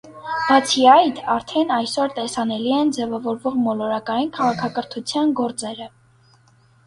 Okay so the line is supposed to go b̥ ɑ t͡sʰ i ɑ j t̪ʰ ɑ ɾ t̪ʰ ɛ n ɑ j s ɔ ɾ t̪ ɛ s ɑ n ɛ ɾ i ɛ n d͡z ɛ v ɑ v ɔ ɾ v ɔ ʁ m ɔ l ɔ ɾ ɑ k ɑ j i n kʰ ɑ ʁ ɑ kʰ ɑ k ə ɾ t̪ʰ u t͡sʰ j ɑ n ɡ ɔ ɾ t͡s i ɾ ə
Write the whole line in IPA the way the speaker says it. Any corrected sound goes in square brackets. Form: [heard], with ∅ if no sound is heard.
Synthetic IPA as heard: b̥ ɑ t͡sʰ i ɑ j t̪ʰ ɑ ɾ t̪ʰ ɛ n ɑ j s ɔ ɾ t̪ ɛ s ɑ n ɛ [l] i ɛ n d͡z ɛ v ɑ v ɔ ɾ v ɔ ʁ m ɔ l ɔ ɾ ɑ k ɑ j i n kʰ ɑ ʁ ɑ kʰ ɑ k ə ɾ t̪ʰ u t͡sʰ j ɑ n ɡ ɔ ɾ t͡s [ɛ] ɾ ə